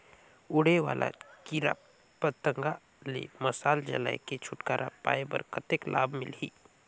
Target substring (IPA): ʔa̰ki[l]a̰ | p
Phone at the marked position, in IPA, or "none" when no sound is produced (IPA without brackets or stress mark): ɾ